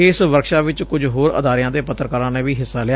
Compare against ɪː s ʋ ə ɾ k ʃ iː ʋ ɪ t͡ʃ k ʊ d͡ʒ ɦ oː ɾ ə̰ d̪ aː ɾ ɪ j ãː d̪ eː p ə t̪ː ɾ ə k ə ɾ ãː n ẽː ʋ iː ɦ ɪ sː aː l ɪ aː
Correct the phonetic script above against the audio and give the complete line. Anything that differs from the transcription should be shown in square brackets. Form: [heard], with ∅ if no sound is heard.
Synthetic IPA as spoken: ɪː s ʋ ə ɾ k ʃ [aː] ʋ ɪ t͡ʃ k ʊ d͡ʒ ɦ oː ɾ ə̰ d̪ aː ɾ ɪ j ãː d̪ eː p ə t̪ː ɾ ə k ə ɾ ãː n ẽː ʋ iː ɦ ɪ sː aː l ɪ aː